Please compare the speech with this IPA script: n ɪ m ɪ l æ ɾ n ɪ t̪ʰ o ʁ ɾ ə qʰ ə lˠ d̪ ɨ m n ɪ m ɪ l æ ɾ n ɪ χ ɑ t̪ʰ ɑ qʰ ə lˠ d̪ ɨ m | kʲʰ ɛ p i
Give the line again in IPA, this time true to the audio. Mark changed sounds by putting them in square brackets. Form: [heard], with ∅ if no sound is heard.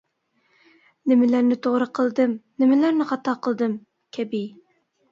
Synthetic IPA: n ɪ m ɪ l æ ɾ n ɪ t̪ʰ o ʁ ɾ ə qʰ ə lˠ d̪ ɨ m n ɪ m ɪ l æ ɾ n ɪ χ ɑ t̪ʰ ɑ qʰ ə lˠ d̪ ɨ m | kʲʰ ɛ [b] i